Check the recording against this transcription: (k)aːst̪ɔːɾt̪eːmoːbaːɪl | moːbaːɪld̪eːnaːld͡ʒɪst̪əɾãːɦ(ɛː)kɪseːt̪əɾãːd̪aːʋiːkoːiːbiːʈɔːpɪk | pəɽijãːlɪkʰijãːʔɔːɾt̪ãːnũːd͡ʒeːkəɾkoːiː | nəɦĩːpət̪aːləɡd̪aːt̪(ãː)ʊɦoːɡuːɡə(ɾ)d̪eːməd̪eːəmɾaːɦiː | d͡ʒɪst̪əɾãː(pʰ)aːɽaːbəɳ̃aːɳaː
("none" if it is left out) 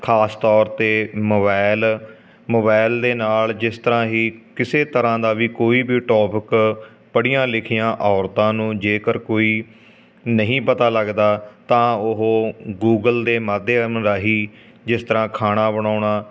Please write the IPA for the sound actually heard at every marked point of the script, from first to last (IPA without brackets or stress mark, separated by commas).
kʰ, iː, ãː, l, kʰ